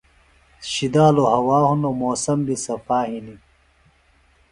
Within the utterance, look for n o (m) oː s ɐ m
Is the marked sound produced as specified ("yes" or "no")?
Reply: yes